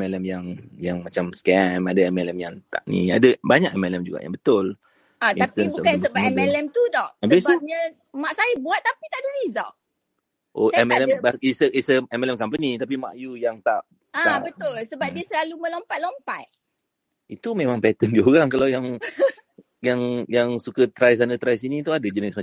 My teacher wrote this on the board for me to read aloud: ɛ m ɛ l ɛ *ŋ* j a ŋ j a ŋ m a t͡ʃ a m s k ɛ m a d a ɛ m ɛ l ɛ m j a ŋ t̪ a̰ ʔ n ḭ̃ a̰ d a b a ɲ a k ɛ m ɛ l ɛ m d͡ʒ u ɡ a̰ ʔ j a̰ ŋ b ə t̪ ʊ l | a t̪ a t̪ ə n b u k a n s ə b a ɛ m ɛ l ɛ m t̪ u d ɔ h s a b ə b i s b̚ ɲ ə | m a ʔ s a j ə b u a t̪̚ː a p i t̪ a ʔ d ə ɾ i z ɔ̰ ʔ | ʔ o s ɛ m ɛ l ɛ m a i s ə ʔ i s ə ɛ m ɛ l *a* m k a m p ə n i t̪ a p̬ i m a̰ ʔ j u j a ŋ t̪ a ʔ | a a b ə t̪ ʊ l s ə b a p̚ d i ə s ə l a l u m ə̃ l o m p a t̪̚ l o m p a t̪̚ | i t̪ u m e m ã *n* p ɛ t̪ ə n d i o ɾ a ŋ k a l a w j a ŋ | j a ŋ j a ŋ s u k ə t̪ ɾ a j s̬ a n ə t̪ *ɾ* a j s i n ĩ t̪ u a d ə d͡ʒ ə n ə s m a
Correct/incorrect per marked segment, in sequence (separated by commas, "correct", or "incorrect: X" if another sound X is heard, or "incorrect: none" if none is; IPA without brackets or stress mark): incorrect: m, incorrect: ɛ, incorrect: ŋ, correct